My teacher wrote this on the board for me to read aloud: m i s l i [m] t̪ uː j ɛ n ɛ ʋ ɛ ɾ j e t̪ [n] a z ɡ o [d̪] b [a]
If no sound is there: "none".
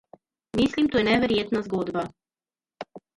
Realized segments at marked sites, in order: m, n, d̪, a

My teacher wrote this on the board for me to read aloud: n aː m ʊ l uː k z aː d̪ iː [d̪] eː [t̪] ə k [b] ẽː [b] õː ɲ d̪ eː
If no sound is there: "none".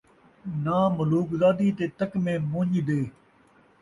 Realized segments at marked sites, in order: t̪, t̪, m, m

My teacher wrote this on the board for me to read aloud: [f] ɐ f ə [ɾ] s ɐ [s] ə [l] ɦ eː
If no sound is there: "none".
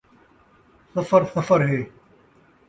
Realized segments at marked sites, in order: s, ɾ, f, ɾ

